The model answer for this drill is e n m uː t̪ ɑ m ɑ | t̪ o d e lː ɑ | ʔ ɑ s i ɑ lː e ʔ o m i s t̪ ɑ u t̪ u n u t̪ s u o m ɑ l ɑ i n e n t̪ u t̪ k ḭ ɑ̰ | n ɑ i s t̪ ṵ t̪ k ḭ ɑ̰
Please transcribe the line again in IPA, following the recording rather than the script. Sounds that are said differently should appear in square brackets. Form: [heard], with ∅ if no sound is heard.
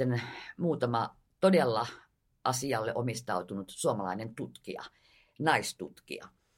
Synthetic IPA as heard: e n m uː t̪ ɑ m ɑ | t̪ o d e lː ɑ | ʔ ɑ s i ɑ lː e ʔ o m i s t̪ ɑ u t̪ u n u t̪ s u o m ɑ l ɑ i n e n t̪ u t̪ k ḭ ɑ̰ | n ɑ i s t̪ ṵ t̪ k ḭ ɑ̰